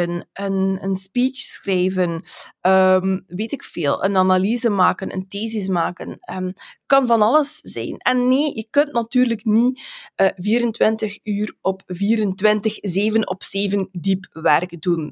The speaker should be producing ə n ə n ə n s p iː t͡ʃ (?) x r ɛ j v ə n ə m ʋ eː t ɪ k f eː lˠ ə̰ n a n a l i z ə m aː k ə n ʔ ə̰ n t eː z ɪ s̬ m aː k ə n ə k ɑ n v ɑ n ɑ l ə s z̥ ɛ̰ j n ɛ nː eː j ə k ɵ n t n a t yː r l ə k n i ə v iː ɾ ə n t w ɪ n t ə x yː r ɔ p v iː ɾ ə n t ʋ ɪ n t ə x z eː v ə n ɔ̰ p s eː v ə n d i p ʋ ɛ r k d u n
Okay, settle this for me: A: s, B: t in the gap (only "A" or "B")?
A